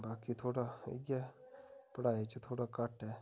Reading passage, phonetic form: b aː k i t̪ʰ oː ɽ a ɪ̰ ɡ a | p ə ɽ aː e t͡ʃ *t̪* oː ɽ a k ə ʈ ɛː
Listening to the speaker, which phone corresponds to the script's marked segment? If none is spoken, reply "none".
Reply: t̪ʰ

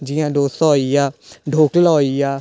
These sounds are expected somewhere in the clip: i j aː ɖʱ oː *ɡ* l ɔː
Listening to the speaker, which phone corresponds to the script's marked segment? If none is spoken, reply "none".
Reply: k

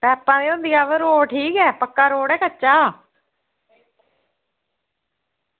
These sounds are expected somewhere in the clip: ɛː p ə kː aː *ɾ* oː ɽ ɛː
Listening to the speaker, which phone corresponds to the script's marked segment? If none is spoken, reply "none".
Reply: ɾ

